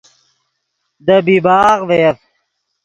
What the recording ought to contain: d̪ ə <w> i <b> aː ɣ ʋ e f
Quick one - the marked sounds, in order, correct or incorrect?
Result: incorrect: b, correct

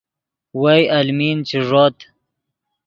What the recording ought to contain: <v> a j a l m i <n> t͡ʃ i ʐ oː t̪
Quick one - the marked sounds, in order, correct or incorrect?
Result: incorrect: w, correct

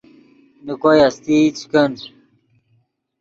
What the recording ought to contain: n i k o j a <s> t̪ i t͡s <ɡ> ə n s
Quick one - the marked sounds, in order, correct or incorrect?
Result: correct, incorrect: k

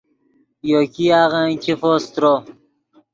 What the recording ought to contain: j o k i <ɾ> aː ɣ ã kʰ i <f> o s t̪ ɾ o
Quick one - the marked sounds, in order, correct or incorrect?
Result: incorrect: none, correct

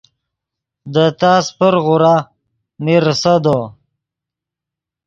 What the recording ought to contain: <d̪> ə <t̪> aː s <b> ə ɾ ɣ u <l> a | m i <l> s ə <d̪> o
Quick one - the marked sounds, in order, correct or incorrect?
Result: correct, correct, incorrect: p, incorrect: ɾ, incorrect: ɾ, correct

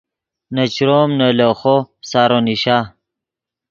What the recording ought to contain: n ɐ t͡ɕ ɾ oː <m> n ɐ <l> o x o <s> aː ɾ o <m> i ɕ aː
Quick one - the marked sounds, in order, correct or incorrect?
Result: correct, correct, correct, incorrect: n

